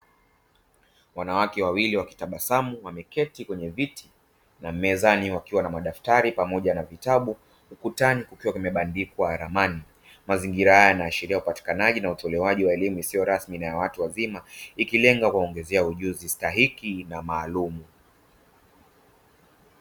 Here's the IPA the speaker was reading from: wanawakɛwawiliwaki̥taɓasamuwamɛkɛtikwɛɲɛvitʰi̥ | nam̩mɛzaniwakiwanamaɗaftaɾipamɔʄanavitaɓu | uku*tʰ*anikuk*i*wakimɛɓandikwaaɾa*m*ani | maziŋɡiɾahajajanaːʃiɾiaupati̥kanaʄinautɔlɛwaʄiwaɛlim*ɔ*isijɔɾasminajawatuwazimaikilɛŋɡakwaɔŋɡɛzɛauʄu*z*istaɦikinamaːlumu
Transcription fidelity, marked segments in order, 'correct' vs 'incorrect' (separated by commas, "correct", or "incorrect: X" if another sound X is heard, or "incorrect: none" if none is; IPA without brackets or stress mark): incorrect: t, correct, correct, incorrect: u, correct